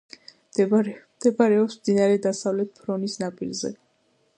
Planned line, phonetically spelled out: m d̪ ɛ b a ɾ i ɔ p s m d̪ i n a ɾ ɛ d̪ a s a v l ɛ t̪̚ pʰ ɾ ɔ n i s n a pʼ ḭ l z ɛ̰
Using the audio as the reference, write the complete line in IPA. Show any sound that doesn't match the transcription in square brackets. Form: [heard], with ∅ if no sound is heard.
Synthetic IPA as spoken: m d̪ ɛ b a ɾ [ɛ] ɔ p s m d̪ i n a ɾ ɛ d̪ a s a v l ɛ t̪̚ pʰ ɾ ɔ n i s n a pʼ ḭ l z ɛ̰